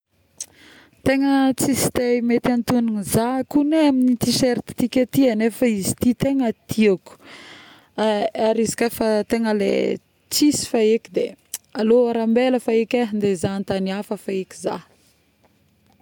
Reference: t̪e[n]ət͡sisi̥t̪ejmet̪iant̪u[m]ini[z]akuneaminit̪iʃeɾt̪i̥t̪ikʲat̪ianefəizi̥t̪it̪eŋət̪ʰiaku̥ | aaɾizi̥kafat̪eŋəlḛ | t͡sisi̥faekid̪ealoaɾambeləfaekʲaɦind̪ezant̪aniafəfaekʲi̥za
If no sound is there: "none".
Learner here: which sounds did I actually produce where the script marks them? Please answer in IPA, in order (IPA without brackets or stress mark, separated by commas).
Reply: ŋ, n, z